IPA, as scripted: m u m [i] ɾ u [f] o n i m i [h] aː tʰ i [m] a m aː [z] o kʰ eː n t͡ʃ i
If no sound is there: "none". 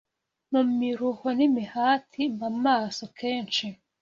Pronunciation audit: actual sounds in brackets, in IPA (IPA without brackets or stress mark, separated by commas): i, h, h, m, s